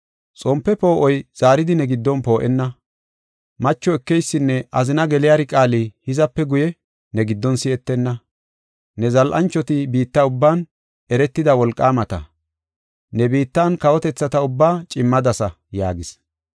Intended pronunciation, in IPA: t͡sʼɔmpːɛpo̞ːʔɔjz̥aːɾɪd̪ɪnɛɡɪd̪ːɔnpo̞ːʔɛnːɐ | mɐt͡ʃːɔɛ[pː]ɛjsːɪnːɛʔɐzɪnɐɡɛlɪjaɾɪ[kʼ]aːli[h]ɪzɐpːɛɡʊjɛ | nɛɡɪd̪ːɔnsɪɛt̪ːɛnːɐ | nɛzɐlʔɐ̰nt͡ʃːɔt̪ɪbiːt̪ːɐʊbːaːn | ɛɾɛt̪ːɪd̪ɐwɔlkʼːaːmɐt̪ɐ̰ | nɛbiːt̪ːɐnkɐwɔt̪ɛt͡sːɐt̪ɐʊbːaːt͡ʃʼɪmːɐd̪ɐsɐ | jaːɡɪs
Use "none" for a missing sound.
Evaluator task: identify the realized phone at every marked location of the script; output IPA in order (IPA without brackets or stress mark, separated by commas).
kː, kʼ, h